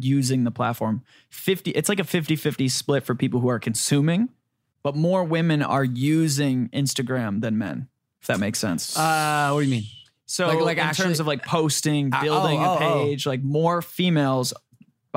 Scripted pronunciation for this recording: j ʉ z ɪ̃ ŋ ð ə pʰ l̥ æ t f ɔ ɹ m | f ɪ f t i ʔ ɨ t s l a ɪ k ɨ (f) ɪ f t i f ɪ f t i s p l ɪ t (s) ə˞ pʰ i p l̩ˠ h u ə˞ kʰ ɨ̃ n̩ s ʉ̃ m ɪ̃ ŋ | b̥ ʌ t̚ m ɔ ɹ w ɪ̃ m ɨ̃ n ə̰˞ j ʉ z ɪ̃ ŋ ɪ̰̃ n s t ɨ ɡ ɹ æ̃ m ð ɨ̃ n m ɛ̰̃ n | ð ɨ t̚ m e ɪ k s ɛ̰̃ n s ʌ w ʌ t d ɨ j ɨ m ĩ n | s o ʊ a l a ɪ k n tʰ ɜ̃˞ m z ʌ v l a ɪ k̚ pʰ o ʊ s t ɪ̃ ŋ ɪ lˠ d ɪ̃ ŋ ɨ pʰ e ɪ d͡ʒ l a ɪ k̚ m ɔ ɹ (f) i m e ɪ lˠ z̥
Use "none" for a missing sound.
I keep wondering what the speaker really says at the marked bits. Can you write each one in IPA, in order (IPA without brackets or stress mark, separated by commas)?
f, f, f